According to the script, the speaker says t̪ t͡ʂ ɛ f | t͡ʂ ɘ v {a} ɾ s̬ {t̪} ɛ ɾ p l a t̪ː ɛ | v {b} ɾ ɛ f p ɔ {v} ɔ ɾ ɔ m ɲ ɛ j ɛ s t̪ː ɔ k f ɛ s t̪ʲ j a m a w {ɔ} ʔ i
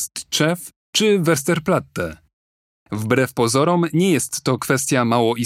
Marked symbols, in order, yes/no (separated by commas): no, yes, yes, no, yes